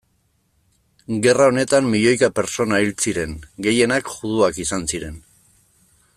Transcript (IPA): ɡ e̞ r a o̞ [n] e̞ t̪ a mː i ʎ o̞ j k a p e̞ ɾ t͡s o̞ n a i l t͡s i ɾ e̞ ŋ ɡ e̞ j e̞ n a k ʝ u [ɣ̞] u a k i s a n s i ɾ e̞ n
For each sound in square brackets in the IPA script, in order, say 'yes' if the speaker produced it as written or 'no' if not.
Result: yes, no

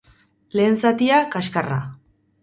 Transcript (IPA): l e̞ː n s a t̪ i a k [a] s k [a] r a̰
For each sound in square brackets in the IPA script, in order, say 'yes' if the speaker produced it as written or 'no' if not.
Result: yes, yes

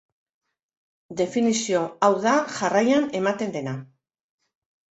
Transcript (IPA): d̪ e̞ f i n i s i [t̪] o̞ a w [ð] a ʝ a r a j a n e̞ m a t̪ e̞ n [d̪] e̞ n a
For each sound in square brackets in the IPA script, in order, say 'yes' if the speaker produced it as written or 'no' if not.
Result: no, yes, yes

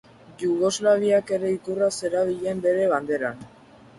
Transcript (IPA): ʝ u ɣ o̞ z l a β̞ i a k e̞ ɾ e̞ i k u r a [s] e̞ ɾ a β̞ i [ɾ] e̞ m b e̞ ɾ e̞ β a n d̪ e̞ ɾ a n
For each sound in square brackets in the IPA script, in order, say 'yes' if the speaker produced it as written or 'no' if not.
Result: yes, no

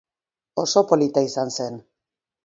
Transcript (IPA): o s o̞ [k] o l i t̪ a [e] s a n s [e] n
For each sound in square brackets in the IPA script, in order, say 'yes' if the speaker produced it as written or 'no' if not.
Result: no, no, yes

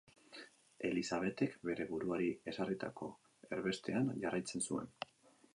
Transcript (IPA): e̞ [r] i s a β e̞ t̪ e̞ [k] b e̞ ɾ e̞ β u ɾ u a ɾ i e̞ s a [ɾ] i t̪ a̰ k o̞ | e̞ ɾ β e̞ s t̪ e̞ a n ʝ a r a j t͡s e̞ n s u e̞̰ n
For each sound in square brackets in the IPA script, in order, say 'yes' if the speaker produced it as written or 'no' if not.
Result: no, yes, no

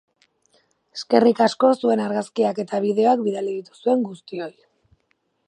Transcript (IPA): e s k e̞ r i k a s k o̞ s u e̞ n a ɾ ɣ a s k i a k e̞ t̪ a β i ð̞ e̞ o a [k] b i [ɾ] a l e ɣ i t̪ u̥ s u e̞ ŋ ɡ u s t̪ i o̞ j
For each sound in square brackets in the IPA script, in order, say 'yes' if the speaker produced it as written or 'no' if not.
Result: yes, yes

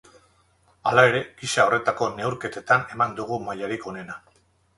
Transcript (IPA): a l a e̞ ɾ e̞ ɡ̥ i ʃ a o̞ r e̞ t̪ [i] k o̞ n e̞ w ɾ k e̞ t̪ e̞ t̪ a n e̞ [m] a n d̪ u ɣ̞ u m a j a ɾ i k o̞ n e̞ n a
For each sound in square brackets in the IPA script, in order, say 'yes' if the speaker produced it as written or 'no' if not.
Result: no, yes

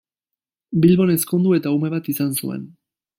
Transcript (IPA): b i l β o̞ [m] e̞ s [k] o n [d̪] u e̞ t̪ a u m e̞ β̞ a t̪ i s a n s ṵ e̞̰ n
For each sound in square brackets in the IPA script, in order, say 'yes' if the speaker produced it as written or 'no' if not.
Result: no, yes, yes

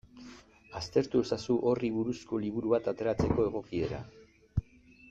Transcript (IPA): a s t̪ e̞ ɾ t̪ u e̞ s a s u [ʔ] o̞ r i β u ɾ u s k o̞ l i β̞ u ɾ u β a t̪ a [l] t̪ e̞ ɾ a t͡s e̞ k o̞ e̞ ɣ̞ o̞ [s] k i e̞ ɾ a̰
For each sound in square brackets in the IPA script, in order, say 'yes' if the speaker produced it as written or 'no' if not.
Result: yes, no, no

